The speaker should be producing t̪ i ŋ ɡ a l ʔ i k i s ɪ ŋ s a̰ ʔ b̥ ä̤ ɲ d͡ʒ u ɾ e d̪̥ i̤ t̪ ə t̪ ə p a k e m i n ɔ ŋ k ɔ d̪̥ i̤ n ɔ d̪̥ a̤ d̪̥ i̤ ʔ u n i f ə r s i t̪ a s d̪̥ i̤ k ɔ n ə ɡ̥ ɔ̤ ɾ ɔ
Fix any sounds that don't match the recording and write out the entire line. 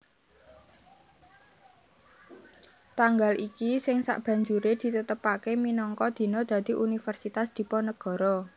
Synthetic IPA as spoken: t̪ a ŋ ɡ a l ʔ i k i s ɪ ŋ s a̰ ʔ b̥ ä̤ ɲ d͡ʒ u ɾ e d̪̥ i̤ t̪ ə t̪ ə p a k e m i n ɔ ŋ k ɔ d̪̥ i̤ n ɔ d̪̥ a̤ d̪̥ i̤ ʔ u n i f ə r s i t̪ a s d̪̥ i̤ p ɔ n ə ɡ̥ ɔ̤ ɾ ɔ